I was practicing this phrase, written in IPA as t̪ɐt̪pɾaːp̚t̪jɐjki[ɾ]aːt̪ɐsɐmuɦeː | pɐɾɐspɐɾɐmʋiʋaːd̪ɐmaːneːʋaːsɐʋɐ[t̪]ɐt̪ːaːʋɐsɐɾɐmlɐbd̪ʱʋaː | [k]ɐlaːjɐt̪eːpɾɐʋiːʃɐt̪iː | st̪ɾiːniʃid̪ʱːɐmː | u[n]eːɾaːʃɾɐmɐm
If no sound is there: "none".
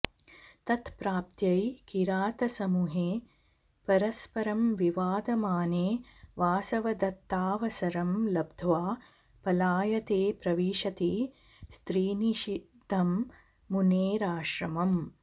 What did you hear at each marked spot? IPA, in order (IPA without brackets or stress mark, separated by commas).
ɾ, d̪, p, n